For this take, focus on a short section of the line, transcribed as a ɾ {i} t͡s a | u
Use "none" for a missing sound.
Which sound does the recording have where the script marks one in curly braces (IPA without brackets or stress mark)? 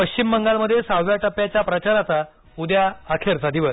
a